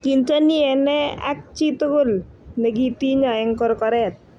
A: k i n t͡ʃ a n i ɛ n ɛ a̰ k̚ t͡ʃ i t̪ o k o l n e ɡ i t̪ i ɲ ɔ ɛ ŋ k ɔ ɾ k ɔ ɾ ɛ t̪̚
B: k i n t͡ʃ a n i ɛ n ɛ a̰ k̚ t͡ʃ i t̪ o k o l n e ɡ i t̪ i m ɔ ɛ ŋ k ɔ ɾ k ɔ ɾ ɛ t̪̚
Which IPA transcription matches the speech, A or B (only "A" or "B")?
A